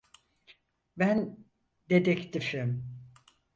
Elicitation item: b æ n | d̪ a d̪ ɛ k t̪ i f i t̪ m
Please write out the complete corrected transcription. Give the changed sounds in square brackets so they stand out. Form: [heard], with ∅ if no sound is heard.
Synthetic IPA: b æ n | d̪ [e] d̪ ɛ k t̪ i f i [∅] m

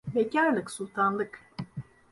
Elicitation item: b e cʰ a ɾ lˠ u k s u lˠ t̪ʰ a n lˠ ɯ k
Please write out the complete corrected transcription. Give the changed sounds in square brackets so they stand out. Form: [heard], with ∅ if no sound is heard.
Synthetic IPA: b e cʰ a ɾ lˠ [ɯ] k s u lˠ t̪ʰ a n lˠ ɯ k

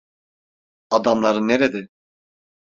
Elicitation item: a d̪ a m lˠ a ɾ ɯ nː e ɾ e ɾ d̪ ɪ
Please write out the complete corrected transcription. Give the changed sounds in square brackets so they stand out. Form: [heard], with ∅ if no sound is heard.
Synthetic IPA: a d̪ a m lˠ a ɾ ɯ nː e ɾ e [∅] d̪ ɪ

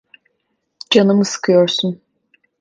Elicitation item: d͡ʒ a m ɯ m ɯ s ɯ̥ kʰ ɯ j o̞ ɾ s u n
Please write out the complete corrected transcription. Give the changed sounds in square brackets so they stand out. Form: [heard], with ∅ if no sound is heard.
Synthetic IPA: d͡ʒ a [n] ɯ m ɯ s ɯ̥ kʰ ɯ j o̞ ɾ s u n

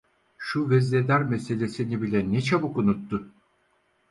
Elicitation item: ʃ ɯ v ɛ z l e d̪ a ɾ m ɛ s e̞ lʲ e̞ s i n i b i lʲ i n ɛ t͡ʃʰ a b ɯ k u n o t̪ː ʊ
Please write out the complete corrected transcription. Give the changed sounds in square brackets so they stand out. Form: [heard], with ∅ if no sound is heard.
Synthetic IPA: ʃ [u] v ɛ z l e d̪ [æ] ɾ m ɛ s e̞ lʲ e̞ s i n i b i lʲ [ɛ] n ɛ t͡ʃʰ a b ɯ k u n [u] t̪ː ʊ

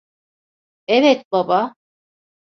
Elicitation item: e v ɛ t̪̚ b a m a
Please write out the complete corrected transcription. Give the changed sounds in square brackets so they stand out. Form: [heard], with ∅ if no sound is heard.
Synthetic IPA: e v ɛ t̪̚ b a [b] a

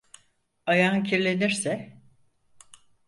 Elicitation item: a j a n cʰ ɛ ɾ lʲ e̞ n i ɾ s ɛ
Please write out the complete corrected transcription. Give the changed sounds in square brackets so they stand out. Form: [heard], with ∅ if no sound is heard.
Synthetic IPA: a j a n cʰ [i] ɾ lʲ e̞ n i ɾ s ɛ

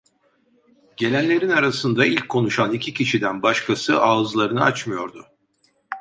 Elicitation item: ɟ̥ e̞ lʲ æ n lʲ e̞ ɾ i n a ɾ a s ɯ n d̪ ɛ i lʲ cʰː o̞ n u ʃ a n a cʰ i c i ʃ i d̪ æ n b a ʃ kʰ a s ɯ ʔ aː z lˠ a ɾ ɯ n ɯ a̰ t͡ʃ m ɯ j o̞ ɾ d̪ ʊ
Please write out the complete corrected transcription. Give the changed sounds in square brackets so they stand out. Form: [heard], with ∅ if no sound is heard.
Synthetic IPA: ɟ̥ e̞ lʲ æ n lʲ e̞ ɾ i n a ɾ a s ɯ n d̪ [a] i lʲ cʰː o̞ n u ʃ a n [i] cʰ i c i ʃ i d̪ æ n b a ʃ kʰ a s ɯ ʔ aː z lˠ a ɾ ɯ n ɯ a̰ t͡ʃ m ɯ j o̞ ɾ d̪ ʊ

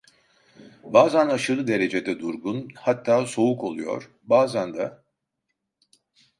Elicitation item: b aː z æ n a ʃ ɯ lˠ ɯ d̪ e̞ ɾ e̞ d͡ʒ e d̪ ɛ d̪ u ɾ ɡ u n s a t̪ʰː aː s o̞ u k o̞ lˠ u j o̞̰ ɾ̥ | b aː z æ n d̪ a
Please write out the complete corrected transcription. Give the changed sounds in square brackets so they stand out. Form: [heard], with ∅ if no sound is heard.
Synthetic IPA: b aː z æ n a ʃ ɯ lˠ ɯ d̪ e̞ ɾ e̞ d͡ʒ e d̪ ɛ d̪ u ɾ ɡ u n [h] a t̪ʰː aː s o̞ u k o̞ lˠ u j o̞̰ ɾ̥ | b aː z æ n d̪ a

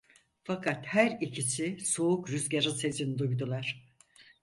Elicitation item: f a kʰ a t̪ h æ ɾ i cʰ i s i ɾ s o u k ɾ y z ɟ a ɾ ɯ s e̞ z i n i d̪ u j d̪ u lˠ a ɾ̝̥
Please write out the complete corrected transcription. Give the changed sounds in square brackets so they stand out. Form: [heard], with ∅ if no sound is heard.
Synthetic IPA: f a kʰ a t̪ h æ ɾ i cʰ i s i [∅] s o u k ɾ y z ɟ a ɾ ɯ s e̞ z i n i d̪ u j d̪ u lˠ a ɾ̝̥

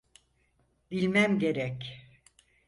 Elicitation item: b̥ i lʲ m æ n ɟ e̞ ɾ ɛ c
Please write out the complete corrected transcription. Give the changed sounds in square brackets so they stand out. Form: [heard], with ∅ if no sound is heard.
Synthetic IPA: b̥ i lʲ m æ [m] ɟ e̞ ɾ ɛ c

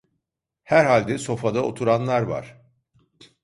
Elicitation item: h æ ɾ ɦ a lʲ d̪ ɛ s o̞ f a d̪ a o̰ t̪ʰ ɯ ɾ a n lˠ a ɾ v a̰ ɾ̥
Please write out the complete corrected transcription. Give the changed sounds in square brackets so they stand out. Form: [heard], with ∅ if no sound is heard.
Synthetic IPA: h æ ɾ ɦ a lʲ d̪ ɛ s o̞ f a d̪ a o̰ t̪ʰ [u] ɾ a n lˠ a ɾ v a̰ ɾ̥

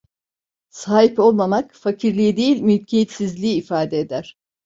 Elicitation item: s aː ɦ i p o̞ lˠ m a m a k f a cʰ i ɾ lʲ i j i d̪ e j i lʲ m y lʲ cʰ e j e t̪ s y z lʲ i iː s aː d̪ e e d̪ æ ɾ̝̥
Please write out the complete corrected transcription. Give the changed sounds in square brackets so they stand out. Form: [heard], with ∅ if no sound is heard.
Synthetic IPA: s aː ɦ i p o̞ lˠ m a m a k f a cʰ i ɾ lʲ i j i d̪ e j i lʲ m y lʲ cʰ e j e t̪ s [i] z lʲ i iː [f] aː d̪ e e d̪ æ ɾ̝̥

